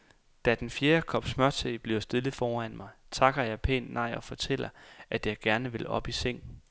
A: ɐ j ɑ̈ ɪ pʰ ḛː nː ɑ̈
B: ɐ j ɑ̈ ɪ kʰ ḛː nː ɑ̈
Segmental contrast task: A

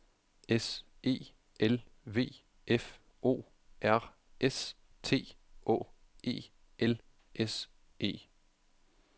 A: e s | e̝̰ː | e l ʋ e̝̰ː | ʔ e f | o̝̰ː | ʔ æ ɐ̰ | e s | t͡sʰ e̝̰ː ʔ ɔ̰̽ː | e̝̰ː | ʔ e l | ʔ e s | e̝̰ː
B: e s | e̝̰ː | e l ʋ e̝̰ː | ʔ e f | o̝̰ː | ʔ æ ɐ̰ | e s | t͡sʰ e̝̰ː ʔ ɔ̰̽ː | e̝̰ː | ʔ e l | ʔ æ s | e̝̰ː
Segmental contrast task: A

